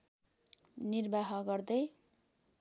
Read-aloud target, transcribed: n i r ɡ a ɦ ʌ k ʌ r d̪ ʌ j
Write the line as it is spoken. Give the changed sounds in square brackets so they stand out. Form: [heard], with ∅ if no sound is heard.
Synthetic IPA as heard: n i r [b] a ɦ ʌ [ɡ] ʌ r d̪ ʌ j

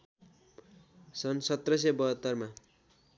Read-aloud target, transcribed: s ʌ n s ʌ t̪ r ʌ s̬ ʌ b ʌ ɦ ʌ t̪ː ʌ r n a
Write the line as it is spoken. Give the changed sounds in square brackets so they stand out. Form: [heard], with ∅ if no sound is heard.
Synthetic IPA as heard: s ʌ n s ʌ t̪ r ʌ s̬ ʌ b ʌ ɦ ʌ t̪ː ʌ r [m] a

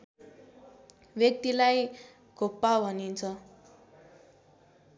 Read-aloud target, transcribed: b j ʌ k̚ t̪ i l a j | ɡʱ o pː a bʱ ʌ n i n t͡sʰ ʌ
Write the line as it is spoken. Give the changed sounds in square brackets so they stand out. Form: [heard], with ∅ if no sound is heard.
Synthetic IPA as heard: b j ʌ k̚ t̪ i l a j | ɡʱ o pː a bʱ ʌ n i n t͡sʰ ʌ

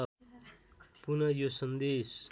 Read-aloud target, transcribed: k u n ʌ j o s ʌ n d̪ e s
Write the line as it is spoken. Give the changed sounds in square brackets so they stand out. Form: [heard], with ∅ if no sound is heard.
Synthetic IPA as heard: [p] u n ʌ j o s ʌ n d̪ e s

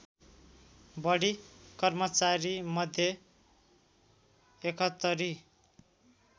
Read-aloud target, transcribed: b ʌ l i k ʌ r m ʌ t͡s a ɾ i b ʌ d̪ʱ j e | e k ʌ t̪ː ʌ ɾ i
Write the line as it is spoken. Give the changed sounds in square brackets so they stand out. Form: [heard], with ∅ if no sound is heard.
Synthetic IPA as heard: b ʌ [ɽ] i k ʌ r m ʌ t͡s a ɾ i [m] ʌ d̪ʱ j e | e k ʌ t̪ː ʌ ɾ i

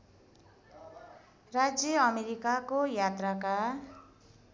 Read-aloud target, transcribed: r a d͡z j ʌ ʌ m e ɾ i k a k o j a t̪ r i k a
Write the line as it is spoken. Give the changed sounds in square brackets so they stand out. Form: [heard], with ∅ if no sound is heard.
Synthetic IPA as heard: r a d͡z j ʌ ʌ m e ɾ i k a k o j a t̪ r [a] k a

